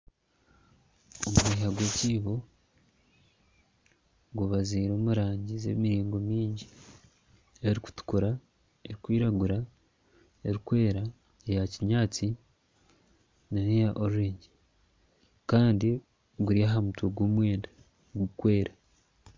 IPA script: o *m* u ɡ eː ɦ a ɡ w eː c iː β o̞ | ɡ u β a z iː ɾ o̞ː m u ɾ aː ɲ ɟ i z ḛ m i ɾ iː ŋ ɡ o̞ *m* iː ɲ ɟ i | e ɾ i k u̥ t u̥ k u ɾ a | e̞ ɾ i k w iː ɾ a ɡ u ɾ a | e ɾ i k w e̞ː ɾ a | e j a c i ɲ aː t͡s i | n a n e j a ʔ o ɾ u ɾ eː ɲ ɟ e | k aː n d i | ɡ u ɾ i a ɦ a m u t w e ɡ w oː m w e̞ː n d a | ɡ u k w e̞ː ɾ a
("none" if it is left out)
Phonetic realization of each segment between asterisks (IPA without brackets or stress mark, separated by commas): m, m